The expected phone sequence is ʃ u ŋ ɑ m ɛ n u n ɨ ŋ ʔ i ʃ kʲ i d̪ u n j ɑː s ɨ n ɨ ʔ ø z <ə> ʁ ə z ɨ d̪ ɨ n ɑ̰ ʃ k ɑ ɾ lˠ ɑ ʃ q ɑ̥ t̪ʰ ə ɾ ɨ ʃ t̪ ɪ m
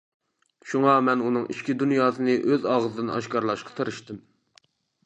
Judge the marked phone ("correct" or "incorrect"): incorrect